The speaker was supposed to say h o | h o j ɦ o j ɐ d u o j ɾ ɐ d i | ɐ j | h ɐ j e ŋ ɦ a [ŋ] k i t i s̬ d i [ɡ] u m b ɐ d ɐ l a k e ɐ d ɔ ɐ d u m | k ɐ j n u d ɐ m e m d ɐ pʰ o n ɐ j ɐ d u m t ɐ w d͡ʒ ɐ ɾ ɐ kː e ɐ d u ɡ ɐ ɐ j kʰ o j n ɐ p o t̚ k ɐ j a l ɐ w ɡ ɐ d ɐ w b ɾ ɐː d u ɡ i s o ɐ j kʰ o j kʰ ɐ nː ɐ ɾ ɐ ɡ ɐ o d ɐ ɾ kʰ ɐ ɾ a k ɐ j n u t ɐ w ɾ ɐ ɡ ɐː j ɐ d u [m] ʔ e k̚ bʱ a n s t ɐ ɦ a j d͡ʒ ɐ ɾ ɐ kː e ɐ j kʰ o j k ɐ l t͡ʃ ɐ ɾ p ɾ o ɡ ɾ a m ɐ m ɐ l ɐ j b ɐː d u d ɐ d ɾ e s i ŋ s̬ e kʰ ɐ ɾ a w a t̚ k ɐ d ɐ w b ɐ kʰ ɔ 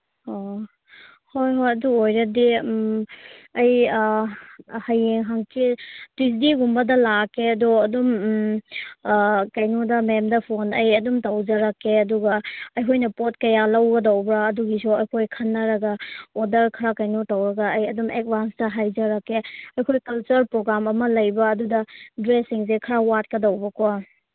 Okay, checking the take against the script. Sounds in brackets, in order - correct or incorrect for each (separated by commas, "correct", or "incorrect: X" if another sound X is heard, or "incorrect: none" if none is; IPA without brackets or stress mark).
correct, correct, correct